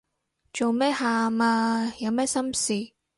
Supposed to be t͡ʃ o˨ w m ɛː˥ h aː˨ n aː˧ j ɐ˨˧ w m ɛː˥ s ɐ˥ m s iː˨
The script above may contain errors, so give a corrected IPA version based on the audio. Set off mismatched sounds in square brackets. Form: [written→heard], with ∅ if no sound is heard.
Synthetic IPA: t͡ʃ o˨ w m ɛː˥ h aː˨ [n→m] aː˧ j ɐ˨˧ w m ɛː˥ s ɐ˥ m s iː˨